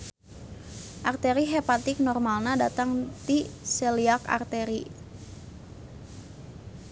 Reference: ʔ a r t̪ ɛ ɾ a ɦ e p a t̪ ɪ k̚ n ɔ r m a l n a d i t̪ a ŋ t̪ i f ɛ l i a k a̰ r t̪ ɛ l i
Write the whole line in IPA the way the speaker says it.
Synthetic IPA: ʔ a r t̪ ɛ ɾ i ɦ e p a t̪ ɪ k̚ n ɔ r m a l n a d a t̪ a ŋ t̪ i s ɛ l i a k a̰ r t̪ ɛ ɾ i